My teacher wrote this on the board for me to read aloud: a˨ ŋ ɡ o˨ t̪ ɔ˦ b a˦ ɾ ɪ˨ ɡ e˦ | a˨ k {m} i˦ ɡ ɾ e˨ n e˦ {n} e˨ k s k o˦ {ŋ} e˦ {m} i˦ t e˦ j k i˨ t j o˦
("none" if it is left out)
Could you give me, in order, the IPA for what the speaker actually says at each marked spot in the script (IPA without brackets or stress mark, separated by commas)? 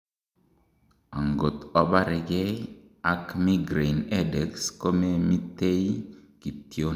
m, d, m, m